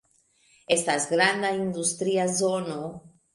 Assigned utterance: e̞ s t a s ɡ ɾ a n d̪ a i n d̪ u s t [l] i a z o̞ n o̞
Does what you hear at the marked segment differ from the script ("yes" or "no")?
yes